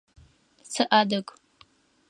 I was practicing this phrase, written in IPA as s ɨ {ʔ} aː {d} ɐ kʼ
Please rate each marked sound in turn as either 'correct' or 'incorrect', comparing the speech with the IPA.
correct, correct

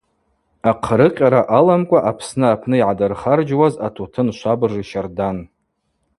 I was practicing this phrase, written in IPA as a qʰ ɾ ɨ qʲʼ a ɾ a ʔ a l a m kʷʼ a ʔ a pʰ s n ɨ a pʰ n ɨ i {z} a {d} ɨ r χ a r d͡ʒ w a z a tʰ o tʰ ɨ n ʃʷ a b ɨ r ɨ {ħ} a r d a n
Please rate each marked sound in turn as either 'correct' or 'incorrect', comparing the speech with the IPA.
incorrect, correct, incorrect

